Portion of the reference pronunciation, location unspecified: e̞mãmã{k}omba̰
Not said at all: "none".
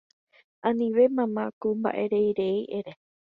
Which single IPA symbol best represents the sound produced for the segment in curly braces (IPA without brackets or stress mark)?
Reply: k